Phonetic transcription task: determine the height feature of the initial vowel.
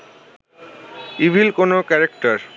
high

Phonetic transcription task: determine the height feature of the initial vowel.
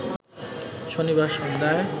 mid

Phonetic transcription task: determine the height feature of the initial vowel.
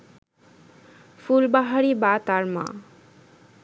high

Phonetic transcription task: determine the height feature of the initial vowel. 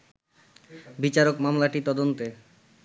high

